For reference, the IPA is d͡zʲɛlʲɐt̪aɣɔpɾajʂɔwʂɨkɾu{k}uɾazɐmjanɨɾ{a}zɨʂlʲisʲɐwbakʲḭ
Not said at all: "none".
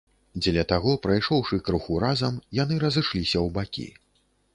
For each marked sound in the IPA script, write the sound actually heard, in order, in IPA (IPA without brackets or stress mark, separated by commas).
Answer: x, ɐ